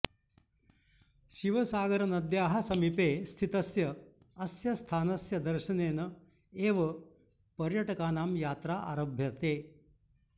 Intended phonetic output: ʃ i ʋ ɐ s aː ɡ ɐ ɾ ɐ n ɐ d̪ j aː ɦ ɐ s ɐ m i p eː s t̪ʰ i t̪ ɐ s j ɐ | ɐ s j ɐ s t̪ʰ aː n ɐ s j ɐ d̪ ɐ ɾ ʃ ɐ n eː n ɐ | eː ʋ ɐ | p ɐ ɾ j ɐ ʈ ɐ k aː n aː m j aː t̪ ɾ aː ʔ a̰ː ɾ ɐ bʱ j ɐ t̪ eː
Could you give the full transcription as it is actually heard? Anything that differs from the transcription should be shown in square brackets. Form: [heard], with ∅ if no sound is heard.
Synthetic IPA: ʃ i ʋ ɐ s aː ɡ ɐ ɾ ɐ n ɐ d̪ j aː ɦ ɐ s ɐ m i p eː s t̪ʰ i t̪ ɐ s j ɐ | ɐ s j ɐ s t̪ʰ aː n ɐ s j ɐ d̪ ɐ ɾ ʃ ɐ n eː n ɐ | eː ʋ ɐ | p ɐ ɾ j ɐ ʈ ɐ k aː n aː m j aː t̪ ɾ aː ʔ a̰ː ɾ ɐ bʱ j ɐ t̪ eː